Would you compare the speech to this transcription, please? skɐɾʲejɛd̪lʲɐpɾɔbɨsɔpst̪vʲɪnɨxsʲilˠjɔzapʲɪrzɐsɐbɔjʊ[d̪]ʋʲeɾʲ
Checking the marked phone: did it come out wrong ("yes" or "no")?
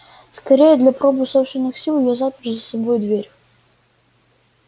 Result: no